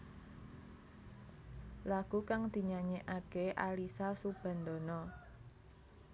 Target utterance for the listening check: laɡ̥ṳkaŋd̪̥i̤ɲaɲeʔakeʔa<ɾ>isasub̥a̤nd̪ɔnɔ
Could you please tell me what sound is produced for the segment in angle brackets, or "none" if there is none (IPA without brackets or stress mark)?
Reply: l